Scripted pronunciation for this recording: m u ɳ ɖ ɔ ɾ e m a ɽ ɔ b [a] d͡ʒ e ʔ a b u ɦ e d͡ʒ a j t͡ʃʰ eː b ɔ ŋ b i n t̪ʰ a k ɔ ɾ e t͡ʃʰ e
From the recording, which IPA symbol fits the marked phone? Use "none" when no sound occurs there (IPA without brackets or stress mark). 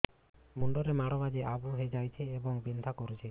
a